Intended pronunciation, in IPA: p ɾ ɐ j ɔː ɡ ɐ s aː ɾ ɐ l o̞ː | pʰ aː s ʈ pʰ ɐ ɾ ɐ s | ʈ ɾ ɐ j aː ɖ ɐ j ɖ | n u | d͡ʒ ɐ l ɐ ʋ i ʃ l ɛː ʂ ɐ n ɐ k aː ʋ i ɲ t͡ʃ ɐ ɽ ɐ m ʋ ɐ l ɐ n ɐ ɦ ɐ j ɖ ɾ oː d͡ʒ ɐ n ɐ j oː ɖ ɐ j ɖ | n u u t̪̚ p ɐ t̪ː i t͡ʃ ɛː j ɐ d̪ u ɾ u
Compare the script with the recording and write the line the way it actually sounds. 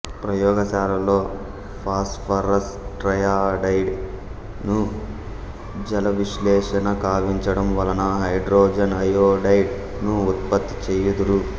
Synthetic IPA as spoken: p ɾ ɐ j ɔː ɡ ɐ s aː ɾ ɐ l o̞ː | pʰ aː s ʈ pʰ ɐ ɾ ɐ s | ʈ ɾ ɐ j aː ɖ ɐ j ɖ | n u | d͡ʒ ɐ l ɐ ʋ i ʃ l ɛː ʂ ɐ n ɐ k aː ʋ i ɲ t͡ʃ ɐ ɽ ɐ m ʋ ɐ l ɐ n ɐ ɦ ɐ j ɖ ɾ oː d͡ʒ ɐ n ɐ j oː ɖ ɐ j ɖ | n u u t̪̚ p ɐ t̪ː i t͡ʃ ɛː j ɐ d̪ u ɾ u